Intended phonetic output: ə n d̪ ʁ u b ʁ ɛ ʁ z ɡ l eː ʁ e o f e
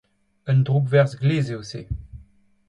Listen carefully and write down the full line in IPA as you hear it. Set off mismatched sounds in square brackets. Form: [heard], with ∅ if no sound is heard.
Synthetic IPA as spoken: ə n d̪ ʁ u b [v] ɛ ʁ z ɡ l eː [z] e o [s] e